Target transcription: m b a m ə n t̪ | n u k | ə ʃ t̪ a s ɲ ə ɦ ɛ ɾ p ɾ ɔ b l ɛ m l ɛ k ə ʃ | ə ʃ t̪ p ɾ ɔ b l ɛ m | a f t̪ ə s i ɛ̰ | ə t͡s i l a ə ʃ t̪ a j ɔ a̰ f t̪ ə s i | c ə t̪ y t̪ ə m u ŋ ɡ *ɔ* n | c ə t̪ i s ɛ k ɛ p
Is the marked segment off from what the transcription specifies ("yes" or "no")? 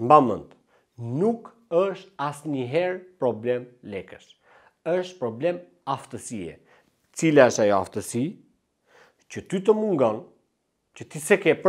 no